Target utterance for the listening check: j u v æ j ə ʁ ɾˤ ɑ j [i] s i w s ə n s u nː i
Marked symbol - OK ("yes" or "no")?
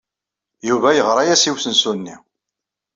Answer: no